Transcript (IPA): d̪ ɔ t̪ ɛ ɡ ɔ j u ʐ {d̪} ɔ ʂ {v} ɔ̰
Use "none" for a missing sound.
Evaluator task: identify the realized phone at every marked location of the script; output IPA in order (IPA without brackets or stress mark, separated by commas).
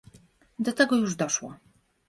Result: d̪, w